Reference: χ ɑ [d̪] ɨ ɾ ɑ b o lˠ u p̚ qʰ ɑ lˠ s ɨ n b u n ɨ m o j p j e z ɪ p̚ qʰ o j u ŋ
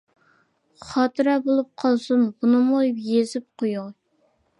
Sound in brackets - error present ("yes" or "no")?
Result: yes